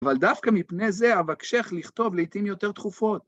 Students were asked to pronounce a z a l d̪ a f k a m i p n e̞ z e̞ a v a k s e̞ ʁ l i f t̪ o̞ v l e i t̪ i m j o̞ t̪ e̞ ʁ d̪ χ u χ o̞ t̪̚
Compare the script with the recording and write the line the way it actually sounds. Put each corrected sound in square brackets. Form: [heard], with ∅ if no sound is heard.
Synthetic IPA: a [v] a l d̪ a f k a m i p n e̞ z e̞ a v a k [ʃ] e̞ [χ] l i [χ] t̪ o̞ v l e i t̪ i m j o̞ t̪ e̞ ʁ [t̪] χ u [f] o̞ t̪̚